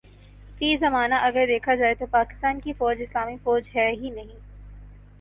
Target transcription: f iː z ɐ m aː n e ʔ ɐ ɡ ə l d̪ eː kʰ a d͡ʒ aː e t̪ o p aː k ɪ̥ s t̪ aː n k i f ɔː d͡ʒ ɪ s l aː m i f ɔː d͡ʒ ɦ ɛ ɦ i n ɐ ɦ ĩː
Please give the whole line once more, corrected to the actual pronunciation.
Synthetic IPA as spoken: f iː z ɐ m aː n a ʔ ɐ ɡ ə ɾ d̪ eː kʰ a d͡ʒ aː e t̪ o p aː k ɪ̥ s t̪ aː n k i f ɔː d͡ʒ ɪ s l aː m i f ɔː d͡ʒ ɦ ɛ ɦ i n ɐ ɦ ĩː